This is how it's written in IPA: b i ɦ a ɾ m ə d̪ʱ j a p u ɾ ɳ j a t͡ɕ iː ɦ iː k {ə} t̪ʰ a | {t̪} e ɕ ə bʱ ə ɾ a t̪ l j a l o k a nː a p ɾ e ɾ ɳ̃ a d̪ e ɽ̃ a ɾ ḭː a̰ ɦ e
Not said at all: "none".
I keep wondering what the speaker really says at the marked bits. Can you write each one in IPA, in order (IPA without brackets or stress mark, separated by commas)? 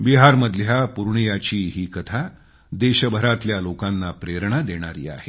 ə, d̪